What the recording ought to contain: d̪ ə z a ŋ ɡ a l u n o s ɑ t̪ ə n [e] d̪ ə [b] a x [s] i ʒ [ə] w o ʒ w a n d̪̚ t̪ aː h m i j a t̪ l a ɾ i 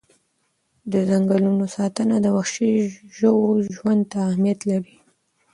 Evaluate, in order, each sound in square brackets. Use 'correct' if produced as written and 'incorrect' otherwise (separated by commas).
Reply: incorrect, incorrect, incorrect, correct